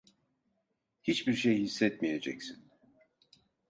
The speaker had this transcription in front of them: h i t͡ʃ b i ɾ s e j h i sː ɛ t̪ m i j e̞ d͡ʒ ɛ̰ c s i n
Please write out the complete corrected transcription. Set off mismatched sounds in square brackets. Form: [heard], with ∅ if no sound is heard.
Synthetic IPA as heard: h i t͡ʃ b i ɾ [ʃ] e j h i sː ɛ t̪ m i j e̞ d͡ʒ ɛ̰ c s i n